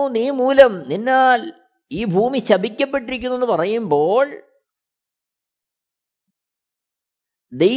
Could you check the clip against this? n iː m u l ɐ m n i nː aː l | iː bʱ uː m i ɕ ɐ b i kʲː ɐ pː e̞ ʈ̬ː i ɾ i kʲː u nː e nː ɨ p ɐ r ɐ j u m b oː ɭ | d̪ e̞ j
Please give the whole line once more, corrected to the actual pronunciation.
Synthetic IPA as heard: n iː m uː l ɐ m n i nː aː l | iː bʱ uː m i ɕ ɐ b i kʲː ɐ pː e̞ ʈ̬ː i ɾ i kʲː u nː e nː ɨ p ɐ r ɐ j u m b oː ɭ | d̪ e̞ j